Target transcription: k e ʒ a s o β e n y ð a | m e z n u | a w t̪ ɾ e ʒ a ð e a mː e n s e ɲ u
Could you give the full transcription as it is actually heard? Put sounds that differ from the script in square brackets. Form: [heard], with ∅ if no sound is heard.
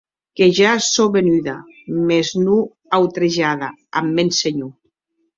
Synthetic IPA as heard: k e ʒ a s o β e n y ð a | m e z n u | a w t̪ ɾ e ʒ a ð [a] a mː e n s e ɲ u

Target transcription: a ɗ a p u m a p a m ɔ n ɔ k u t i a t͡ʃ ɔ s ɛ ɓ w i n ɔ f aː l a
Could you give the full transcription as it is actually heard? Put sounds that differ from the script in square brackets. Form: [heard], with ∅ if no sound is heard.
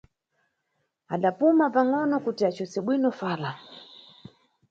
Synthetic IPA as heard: a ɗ a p u m a p a [ŋ] ɔ n ɔ k u t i a t͡ʃ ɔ s ɛ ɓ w i n ɔ f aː l a

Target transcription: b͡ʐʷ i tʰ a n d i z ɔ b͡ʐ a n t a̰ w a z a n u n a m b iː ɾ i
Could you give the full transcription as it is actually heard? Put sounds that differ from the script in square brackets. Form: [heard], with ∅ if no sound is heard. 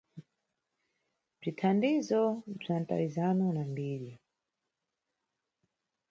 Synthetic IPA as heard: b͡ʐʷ i tʰ a n d i z ɔ b͡ʐ a n t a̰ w [i] z a n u n a m b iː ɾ i

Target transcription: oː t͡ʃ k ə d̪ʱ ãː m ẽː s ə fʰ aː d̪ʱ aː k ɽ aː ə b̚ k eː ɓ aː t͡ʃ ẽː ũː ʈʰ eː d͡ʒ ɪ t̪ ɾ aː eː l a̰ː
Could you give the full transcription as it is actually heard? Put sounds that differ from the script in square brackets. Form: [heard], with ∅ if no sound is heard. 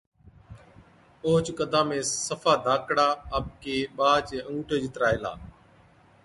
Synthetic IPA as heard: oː t͡ʃ k ə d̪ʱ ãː m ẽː s ə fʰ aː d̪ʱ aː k ɽ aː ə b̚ k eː ɓ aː t͡ʃ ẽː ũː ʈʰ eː d͡ʒ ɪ t̪ ɾ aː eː l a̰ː

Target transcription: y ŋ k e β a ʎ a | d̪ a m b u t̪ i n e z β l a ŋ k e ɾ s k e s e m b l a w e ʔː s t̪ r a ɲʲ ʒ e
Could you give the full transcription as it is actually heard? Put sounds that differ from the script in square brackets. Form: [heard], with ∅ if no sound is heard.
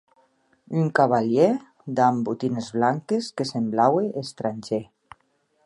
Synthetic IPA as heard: y ŋ k [a] β a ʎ [e] | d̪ a m b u t̪ i n e z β l a ŋ k e [∅] s k e s e m b l a w e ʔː s t̪ [ɾ] a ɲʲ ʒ e

